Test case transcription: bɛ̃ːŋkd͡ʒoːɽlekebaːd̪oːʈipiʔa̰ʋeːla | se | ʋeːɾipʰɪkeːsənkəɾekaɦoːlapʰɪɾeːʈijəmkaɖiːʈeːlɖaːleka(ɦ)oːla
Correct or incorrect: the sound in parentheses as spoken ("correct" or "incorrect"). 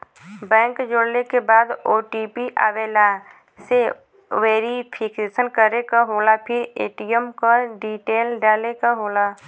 correct